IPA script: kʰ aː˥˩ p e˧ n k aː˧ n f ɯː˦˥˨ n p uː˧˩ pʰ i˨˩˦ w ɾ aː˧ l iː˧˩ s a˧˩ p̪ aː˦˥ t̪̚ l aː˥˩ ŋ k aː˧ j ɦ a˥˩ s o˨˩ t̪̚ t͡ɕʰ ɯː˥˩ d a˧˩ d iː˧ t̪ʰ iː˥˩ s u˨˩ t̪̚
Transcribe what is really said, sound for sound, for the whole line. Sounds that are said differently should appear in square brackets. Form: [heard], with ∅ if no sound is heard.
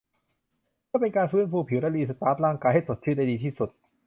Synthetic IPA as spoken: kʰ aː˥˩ p e˧ n k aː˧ n f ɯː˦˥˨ n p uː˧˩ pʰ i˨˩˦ w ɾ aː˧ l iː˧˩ s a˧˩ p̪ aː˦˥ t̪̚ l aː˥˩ ŋ k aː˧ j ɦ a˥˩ s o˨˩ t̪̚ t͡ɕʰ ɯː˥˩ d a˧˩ d iː˧ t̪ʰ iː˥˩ s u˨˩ t̪̚